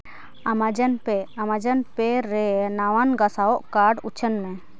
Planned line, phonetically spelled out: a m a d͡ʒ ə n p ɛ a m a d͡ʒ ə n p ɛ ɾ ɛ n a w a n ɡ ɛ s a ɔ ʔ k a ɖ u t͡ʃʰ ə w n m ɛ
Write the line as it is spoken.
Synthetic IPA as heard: a m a d͡ʒ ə n p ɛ a m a d͡ʒ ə n p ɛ ɾ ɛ n a w a n ɡ a s a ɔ ʔ k a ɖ u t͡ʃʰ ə n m ɛ